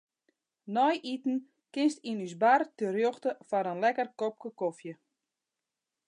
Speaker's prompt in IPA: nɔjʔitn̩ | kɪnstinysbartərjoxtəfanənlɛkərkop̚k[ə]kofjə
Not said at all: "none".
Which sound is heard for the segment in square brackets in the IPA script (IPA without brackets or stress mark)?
ə